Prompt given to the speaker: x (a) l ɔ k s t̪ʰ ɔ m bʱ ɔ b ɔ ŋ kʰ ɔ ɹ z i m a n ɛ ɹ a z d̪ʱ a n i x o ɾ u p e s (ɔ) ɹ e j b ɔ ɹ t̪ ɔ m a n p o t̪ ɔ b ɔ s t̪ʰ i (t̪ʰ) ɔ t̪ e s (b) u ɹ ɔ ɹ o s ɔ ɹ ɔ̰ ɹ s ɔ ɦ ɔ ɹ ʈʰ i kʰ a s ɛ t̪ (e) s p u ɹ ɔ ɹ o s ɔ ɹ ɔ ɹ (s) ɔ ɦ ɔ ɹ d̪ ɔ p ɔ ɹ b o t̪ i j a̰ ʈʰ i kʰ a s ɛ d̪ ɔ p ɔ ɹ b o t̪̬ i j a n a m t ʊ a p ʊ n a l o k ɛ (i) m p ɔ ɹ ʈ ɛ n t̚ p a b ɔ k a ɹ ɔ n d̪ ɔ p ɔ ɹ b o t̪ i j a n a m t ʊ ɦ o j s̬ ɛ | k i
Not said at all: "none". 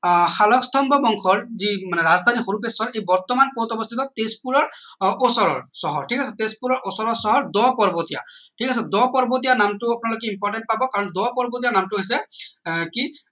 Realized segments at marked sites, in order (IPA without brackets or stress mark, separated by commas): a, ɔ, t̪, p, e, s, i